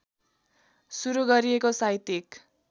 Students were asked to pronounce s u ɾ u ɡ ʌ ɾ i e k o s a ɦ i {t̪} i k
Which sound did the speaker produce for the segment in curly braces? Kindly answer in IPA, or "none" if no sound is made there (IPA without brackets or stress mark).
t̪